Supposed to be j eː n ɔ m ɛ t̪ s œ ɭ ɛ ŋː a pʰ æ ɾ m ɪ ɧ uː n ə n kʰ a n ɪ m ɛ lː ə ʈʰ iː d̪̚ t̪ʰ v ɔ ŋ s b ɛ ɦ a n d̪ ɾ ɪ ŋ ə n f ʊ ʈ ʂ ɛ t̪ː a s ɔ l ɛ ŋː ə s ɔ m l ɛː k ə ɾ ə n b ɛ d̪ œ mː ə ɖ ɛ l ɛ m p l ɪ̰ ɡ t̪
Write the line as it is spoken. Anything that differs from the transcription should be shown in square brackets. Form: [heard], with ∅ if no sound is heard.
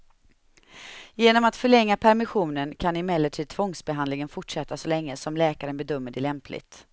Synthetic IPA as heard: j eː n ɔ m [a] t̪ [f] œ ɭ ɛ ŋː a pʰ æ ɾ m ɪ ɧ uː n ə n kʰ a n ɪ m ɛ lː ə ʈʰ iː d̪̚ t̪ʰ v ɔ ŋ s b ɛ ɦ a n d̪ [l] ɪ ŋ ə n f ʊ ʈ ʂ ɛ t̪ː a s ɔ l ɛ ŋː ə s ɔ m l ɛː k [a] ɾ ə n b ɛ d̪ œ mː ə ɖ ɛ l ɛ m p l ɪ̰ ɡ t̪